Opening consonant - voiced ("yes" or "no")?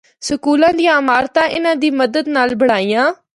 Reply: no